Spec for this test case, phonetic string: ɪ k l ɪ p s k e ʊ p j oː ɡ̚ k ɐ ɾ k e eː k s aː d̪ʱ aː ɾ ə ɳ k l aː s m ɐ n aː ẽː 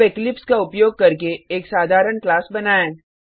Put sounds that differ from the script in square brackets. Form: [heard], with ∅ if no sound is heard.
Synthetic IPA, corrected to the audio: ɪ k l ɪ p s k [a] ʊ p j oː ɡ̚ k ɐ ɾ k e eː k s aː d̪ʱ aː ɾ ə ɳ k l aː s [b] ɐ n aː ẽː